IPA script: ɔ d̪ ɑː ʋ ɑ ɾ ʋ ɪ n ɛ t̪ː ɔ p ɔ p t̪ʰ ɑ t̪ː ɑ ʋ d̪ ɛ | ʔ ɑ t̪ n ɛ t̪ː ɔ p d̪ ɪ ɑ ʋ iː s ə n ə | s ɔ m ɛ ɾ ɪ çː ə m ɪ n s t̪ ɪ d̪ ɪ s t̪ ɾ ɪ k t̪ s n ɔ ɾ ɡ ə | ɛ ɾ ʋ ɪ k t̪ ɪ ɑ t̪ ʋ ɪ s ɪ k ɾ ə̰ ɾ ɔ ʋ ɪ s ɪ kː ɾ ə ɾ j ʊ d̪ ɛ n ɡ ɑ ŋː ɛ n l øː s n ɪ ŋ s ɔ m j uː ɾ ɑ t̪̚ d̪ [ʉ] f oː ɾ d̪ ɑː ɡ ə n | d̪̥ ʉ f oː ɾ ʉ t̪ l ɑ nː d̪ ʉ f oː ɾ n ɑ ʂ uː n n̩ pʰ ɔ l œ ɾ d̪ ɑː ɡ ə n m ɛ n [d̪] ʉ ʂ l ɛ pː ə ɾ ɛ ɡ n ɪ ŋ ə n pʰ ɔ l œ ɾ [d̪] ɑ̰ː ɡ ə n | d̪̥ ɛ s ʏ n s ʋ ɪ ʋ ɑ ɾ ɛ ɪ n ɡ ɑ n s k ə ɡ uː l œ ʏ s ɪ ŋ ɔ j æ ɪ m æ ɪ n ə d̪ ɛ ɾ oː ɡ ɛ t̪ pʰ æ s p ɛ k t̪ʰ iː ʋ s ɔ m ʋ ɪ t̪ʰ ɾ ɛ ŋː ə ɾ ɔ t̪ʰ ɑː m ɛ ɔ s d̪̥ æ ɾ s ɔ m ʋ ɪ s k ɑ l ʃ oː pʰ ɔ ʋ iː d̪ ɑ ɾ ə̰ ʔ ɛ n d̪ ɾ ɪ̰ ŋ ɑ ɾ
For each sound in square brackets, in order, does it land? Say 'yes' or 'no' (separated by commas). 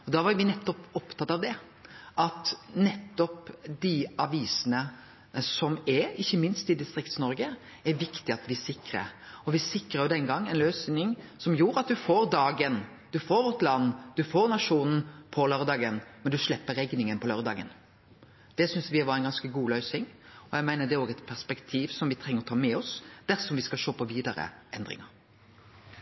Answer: yes, yes, yes